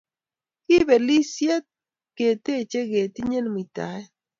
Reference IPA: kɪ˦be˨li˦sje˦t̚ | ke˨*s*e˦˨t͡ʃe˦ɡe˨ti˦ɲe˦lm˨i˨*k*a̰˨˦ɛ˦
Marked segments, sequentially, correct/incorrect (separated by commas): incorrect, incorrect